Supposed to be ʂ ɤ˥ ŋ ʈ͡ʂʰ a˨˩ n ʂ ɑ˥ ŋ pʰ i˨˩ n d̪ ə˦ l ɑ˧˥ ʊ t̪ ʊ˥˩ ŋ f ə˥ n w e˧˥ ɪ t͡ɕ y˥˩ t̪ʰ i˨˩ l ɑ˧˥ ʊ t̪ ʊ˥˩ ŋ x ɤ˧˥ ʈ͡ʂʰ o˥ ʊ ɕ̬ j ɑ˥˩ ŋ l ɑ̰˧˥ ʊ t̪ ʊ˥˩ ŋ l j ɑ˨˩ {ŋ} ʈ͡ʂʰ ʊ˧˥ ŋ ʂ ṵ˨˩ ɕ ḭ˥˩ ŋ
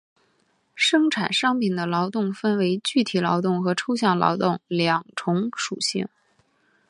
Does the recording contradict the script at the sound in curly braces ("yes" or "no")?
no